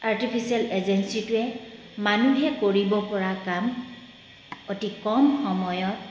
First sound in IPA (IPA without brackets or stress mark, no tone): a